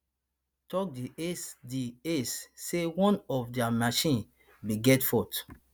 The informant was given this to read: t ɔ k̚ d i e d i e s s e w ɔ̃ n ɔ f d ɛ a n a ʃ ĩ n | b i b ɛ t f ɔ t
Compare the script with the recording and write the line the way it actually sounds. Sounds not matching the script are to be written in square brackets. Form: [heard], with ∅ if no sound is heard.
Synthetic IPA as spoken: t ɔ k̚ d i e d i e s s e w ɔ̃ n ɔ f d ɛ a [m] a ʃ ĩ n | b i [ɡ] ɛ t f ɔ t